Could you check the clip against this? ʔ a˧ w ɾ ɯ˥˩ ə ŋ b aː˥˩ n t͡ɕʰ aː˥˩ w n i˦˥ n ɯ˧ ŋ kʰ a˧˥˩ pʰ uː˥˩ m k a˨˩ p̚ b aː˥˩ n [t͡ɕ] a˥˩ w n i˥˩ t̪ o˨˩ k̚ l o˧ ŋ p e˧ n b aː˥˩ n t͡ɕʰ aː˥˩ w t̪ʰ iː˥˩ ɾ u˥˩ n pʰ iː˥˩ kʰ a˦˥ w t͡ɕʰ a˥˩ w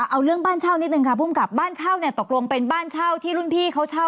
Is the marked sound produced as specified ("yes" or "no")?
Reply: no